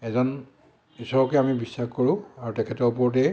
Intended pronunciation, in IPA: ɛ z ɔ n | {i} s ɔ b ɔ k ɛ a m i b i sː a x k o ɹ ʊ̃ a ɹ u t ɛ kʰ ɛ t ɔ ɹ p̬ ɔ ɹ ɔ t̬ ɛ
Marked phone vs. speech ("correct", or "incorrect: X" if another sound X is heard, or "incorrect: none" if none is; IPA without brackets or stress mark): correct